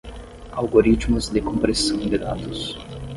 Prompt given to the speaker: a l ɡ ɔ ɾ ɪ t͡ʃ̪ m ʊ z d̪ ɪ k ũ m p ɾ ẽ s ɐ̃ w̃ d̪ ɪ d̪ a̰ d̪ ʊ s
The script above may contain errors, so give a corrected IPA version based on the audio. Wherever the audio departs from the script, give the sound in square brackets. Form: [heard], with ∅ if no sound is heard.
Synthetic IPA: a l ɡ [o] ɾ [i] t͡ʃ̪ m ʊ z d̪ ɪ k [õ] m p ɾ [e] s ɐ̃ w̃ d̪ ɪ d̪ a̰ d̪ ʊ s